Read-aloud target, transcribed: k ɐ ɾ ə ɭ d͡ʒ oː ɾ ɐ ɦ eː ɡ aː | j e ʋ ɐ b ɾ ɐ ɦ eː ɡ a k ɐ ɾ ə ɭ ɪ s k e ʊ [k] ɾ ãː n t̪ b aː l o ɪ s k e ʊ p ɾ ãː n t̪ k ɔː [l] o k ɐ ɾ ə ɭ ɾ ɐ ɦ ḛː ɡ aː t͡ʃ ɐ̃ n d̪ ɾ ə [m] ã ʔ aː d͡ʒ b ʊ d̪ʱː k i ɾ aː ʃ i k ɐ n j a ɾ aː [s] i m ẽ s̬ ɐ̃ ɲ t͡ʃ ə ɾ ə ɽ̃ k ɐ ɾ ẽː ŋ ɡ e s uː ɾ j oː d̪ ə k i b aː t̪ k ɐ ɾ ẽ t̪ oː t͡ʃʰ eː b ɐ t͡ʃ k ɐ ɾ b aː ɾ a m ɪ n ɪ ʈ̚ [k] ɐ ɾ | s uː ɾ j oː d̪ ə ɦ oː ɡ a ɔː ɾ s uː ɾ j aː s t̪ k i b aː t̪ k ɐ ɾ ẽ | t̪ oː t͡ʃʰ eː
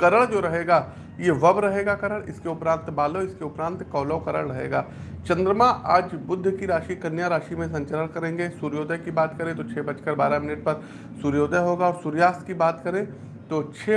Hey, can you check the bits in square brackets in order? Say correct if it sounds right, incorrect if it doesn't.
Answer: incorrect: p, correct, correct, incorrect: ʃ, incorrect: p

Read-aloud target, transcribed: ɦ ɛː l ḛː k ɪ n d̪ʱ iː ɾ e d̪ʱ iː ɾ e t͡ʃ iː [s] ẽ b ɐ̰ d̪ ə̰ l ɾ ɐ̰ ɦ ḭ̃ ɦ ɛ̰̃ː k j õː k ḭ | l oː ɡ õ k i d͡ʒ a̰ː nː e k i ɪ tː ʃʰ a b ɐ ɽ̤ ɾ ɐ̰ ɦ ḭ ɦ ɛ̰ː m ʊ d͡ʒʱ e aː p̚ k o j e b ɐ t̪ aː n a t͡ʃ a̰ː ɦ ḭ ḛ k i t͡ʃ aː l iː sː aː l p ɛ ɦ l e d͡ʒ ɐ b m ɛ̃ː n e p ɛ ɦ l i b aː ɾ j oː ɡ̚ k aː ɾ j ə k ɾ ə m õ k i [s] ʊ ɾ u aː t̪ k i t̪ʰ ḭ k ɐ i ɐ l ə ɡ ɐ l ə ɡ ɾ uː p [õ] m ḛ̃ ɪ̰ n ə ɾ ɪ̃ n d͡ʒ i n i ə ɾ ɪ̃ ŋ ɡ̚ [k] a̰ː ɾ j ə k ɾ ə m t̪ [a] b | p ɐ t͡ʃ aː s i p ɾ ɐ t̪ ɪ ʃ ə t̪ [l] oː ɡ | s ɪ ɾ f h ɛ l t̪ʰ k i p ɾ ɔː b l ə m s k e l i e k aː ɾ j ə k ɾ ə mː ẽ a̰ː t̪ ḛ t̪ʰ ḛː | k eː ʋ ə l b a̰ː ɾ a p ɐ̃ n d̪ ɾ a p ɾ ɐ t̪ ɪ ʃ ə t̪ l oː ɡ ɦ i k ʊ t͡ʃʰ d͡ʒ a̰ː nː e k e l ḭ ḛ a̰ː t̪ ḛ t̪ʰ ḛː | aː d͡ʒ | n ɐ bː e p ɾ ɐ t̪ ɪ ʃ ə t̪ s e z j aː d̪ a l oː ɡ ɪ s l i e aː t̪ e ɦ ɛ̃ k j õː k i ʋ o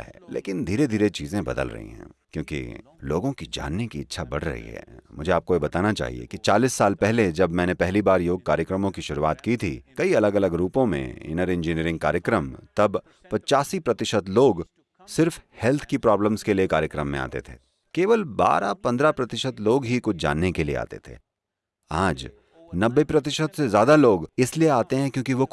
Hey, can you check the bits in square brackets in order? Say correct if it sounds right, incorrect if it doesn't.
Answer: incorrect: z, incorrect: ʃ, correct, correct, incorrect: ɐ, correct

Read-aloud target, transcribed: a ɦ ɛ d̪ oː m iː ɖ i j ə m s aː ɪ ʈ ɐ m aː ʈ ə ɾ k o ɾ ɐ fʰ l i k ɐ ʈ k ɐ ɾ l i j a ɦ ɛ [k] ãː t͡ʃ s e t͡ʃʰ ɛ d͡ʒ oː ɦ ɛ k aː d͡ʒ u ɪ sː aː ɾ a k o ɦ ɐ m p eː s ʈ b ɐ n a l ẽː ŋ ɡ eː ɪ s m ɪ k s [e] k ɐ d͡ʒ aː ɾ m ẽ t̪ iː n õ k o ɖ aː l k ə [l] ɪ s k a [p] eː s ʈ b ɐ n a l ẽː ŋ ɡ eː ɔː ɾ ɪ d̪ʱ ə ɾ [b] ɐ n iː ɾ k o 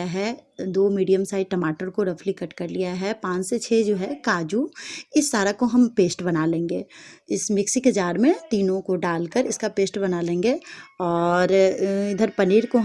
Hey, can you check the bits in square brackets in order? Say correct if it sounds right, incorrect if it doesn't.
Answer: incorrect: p, incorrect: i, incorrect: ɾ, correct, incorrect: p

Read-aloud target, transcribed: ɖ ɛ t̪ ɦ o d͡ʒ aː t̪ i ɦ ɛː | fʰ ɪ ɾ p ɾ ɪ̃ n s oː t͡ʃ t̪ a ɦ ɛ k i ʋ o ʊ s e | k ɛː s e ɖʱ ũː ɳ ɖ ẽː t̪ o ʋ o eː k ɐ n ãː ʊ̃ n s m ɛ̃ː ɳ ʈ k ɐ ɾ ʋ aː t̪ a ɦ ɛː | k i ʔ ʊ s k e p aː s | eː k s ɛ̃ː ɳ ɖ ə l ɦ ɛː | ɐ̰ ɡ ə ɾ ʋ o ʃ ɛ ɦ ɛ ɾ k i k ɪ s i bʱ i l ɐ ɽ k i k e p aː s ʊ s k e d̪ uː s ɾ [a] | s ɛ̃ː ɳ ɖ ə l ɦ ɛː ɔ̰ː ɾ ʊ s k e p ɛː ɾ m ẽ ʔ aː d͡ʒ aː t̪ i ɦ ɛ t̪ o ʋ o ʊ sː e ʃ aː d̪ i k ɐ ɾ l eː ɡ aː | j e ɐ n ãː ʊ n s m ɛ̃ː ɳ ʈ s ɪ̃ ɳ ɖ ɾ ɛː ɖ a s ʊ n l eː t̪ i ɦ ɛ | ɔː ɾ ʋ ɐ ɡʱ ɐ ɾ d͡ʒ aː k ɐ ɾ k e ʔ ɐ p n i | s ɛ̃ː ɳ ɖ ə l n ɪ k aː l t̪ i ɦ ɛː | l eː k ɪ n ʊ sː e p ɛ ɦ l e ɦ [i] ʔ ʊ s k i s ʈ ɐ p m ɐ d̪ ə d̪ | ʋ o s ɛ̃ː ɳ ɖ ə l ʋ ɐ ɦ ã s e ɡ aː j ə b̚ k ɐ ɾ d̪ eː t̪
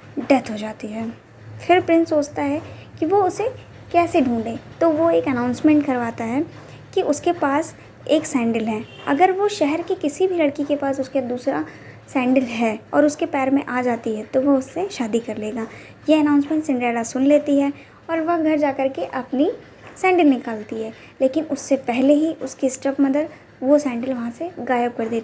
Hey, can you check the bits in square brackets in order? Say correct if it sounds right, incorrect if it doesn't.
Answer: correct, correct

